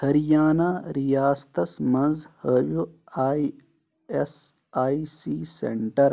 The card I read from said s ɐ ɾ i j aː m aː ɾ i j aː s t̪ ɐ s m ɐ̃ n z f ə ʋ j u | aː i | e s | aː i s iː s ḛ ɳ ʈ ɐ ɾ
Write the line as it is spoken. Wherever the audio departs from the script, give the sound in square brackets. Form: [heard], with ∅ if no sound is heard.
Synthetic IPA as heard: [h] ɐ ɾ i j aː [n] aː ɾ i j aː s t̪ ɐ s m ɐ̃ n z [h] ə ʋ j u | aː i | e s | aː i s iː s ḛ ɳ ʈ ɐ ɾ